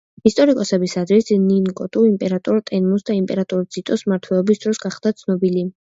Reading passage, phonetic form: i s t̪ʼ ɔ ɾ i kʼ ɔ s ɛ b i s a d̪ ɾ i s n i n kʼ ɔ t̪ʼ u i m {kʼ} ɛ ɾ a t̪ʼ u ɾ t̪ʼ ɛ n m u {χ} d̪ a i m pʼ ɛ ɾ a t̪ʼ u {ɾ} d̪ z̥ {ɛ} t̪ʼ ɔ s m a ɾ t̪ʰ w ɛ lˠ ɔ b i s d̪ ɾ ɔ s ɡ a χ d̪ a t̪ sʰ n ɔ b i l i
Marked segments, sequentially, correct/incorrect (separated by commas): incorrect, incorrect, correct, incorrect